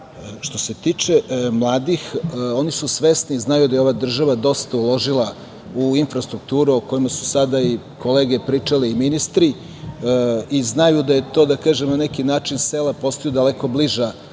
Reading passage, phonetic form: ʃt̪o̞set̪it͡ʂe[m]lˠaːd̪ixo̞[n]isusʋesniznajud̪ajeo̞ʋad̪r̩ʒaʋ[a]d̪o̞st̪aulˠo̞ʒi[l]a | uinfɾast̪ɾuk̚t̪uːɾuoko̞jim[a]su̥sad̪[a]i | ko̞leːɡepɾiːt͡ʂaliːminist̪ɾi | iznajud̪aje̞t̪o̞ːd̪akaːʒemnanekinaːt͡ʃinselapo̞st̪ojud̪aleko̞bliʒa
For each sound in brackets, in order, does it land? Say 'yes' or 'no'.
yes, yes, yes, yes, yes, yes

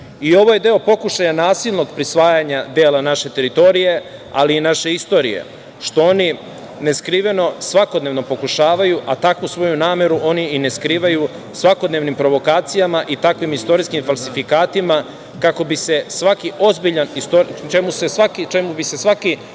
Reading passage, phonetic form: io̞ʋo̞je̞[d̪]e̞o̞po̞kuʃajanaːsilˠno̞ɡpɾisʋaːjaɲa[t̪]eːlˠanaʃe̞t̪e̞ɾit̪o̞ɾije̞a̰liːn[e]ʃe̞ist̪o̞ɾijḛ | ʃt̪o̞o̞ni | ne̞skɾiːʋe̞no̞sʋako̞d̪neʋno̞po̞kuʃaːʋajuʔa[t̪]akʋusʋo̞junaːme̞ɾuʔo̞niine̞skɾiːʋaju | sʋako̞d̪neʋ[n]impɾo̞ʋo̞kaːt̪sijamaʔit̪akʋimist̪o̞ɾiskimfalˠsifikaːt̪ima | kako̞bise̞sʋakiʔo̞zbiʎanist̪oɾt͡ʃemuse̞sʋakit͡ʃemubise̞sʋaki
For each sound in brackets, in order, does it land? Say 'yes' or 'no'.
yes, no, no, yes, yes

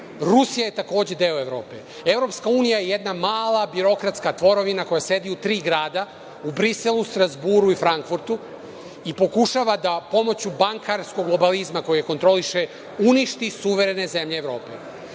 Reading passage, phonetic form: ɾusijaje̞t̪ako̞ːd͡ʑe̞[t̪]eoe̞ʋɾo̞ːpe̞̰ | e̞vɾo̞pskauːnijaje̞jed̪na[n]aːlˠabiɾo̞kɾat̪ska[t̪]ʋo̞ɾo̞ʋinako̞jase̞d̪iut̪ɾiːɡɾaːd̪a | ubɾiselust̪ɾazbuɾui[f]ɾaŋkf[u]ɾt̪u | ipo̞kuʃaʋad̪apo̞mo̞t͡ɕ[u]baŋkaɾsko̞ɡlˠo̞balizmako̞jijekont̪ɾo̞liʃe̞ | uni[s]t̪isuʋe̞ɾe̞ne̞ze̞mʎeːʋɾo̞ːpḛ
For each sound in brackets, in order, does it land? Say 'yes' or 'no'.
no, no, yes, yes, yes, yes, no

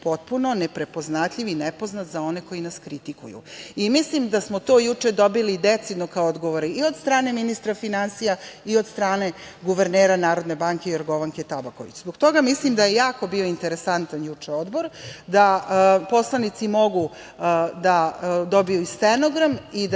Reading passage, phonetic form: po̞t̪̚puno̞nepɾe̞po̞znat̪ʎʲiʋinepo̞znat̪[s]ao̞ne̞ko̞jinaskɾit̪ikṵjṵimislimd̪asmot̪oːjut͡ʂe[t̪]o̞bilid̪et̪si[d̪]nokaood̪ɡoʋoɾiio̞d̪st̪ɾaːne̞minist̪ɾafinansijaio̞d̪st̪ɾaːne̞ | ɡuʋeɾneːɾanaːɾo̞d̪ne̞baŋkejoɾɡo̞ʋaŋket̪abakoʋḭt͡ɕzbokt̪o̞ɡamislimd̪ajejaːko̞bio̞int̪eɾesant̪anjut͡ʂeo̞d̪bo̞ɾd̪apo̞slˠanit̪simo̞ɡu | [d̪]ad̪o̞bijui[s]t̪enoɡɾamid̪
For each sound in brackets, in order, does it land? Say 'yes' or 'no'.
no, no, yes, yes, yes

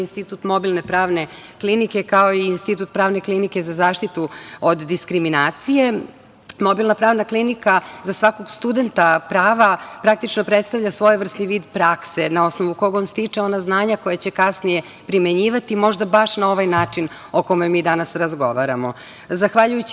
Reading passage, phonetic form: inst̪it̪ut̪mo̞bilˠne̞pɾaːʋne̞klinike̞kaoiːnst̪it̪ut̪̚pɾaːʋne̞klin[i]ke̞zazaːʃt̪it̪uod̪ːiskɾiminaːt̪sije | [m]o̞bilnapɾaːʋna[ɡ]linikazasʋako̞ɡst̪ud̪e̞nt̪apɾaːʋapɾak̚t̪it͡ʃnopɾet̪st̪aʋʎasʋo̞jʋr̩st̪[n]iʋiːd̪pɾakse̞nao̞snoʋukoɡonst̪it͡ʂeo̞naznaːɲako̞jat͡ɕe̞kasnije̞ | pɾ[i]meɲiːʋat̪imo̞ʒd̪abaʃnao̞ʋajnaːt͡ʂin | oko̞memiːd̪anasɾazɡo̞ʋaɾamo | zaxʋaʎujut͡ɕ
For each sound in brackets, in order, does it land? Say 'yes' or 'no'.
yes, yes, no, yes, yes

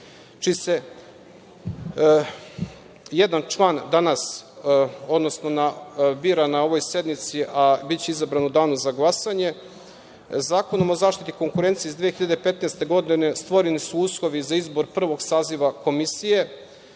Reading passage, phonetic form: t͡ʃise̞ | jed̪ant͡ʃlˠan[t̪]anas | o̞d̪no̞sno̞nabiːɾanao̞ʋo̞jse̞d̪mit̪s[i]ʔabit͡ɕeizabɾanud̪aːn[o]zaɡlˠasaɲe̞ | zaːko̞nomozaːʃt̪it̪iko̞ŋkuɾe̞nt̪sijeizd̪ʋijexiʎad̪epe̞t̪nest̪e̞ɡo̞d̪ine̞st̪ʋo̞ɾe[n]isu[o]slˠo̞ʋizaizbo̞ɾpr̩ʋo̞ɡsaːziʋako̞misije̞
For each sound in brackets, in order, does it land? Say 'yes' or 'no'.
no, yes, no, yes, no

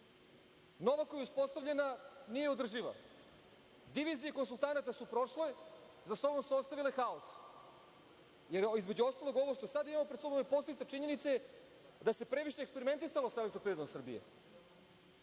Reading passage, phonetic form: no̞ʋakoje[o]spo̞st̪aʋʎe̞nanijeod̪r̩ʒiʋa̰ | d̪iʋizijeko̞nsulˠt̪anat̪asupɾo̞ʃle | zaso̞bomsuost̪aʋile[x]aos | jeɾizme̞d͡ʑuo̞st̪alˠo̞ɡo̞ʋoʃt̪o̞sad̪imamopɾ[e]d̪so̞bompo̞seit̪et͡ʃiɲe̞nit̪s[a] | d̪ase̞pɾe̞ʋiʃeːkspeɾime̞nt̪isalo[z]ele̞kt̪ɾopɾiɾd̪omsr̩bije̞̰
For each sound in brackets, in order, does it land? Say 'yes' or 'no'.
no, yes, yes, no, no

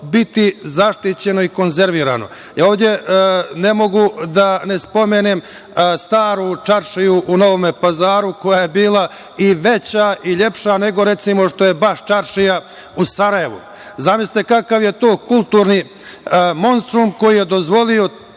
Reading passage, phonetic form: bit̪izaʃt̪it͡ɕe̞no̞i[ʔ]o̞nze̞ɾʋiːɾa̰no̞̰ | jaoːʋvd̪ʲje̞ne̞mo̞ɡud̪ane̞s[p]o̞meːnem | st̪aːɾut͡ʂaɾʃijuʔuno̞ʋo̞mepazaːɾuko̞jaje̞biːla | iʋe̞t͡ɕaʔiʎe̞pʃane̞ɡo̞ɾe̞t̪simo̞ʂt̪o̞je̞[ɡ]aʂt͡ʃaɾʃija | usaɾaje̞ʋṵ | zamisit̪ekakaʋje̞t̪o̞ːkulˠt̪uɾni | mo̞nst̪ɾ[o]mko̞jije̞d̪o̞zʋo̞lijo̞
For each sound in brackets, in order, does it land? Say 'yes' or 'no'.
no, yes, no, no

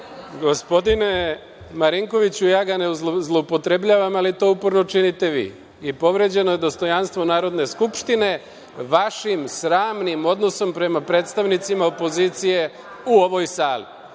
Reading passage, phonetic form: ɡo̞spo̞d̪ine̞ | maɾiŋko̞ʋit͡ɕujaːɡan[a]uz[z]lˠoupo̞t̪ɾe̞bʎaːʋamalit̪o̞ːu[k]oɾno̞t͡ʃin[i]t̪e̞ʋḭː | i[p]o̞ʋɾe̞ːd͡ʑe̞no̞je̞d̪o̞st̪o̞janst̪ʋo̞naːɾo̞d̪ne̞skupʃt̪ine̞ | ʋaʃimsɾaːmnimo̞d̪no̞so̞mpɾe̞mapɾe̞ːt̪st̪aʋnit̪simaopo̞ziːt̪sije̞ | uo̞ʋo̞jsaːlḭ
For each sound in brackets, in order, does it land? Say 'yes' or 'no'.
no, yes, no, yes, yes

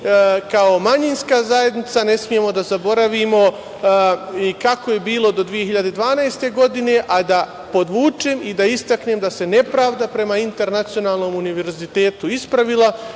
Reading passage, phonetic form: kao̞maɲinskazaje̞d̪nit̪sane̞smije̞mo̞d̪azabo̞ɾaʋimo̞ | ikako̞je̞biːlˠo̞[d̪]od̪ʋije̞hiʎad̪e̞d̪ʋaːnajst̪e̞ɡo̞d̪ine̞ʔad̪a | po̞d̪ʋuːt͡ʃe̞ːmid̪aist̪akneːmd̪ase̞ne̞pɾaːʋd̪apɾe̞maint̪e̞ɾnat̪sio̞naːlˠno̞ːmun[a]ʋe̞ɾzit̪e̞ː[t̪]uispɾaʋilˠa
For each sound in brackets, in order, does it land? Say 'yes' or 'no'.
yes, no, yes

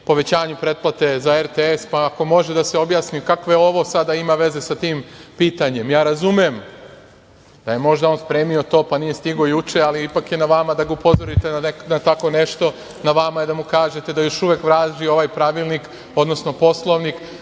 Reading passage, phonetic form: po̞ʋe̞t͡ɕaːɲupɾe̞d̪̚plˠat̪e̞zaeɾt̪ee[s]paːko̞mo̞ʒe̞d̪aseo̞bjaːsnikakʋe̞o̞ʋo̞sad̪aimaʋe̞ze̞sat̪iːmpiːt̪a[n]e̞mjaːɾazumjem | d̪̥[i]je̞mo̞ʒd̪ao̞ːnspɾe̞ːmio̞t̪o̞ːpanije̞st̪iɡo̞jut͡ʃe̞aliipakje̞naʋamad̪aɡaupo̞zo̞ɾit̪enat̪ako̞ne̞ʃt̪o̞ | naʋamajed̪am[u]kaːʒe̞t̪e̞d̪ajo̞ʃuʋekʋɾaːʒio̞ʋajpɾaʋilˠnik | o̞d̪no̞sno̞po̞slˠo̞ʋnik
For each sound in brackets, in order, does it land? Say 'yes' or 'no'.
yes, no, no, yes

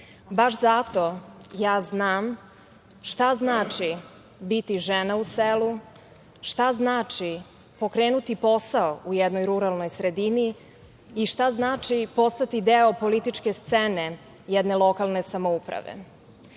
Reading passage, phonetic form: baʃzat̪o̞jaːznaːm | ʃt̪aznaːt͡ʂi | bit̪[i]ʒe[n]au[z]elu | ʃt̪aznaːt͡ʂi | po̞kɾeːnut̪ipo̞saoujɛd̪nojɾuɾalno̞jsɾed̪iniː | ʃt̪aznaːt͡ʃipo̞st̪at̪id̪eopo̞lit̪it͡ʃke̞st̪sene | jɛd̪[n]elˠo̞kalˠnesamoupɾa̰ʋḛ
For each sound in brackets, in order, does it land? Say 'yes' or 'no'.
yes, yes, no, yes

